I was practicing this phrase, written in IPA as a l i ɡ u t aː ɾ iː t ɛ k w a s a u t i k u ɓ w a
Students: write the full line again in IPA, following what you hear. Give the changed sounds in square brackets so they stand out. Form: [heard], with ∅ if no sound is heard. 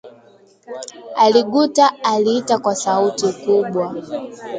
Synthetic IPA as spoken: a l i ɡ u t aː [l] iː t [a] k w a s a u t i k u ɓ w a